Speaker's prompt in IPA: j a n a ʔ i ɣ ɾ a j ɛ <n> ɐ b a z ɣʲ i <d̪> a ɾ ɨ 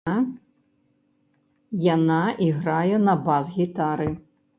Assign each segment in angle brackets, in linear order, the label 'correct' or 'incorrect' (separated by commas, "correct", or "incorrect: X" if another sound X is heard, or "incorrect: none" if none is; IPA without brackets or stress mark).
correct, incorrect: t̪